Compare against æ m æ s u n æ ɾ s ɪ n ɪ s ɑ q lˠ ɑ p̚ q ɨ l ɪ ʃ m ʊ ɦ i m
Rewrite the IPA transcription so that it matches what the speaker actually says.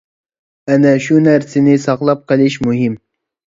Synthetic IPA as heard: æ n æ ʃ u n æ ɾ s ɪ n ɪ s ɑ q lˠ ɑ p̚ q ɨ l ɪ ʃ m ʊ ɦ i m